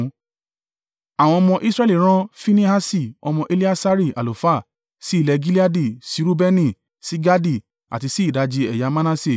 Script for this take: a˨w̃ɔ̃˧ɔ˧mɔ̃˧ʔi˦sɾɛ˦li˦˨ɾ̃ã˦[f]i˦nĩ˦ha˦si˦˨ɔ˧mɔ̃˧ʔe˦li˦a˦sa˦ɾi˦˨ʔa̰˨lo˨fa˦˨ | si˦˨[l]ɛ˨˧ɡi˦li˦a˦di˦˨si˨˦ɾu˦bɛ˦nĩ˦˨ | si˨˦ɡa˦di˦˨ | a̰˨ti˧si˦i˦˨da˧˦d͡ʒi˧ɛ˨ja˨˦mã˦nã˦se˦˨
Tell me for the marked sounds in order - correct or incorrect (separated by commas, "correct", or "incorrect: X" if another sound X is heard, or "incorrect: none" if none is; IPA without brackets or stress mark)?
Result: correct, correct